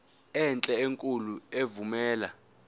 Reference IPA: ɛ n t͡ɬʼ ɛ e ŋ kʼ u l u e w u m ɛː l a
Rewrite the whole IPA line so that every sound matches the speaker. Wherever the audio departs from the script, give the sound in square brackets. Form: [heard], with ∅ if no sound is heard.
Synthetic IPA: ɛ n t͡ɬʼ ɛ e ŋ kʼ u l u e [v] u m ɛː l a